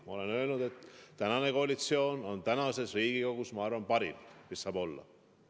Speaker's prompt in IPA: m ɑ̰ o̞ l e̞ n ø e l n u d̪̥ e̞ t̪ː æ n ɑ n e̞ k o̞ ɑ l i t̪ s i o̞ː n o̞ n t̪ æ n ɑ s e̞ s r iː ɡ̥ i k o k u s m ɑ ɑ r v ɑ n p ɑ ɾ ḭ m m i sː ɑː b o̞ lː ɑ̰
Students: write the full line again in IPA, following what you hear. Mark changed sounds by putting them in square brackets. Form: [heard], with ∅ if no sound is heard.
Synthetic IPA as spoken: m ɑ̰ o̞ l e̞ n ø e l n u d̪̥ e̞ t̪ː æ n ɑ n e̞ k o̞ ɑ l i t̪ s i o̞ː n o̞ n t̪ æ n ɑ s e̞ s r iː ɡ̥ i k o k u s m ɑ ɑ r v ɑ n p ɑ ɾ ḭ m m i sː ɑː b o̞ lː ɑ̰